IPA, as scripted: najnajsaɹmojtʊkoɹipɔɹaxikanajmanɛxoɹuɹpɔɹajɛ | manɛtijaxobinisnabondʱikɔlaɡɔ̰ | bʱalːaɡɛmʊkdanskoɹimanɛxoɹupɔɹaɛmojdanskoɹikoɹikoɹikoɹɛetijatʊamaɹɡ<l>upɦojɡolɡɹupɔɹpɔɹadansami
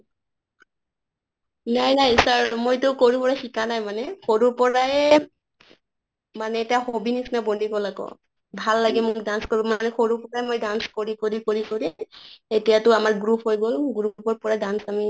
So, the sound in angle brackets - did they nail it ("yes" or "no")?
no